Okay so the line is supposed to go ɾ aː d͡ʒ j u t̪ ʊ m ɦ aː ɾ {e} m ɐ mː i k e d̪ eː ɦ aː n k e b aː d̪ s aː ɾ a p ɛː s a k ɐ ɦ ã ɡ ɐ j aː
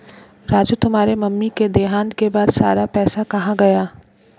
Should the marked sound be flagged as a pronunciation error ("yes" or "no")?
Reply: no